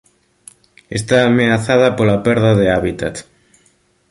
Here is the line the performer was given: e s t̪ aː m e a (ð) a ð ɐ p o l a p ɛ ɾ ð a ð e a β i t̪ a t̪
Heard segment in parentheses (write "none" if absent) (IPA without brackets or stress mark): θ